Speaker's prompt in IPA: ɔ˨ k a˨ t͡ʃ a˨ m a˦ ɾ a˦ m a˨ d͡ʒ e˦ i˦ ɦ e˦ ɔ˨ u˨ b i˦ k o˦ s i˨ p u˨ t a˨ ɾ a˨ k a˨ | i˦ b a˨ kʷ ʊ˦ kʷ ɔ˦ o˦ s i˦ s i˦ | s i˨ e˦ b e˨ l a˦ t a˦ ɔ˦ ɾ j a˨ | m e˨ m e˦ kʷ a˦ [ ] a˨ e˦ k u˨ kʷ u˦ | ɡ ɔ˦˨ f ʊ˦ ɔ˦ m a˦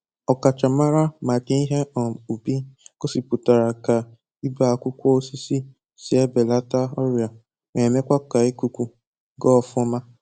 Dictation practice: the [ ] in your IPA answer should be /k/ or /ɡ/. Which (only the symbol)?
k